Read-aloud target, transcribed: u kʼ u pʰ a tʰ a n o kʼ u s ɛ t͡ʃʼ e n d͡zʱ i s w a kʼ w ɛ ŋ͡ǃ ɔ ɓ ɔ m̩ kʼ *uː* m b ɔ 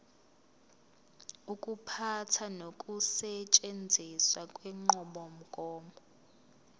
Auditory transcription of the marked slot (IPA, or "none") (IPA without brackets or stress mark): ɔː